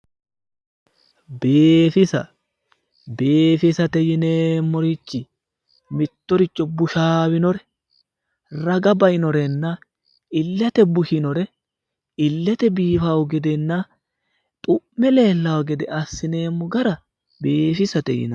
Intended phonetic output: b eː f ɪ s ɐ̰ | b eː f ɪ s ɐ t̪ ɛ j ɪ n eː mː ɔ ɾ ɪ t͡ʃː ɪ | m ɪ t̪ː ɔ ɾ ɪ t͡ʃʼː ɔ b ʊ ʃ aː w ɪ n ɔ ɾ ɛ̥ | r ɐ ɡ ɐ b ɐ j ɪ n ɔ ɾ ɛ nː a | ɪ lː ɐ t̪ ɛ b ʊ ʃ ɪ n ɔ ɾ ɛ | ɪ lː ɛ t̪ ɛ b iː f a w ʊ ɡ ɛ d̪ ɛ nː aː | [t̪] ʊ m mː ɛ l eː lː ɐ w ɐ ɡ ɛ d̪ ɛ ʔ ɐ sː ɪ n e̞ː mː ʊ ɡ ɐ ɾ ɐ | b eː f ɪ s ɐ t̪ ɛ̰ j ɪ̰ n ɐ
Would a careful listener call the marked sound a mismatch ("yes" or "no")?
yes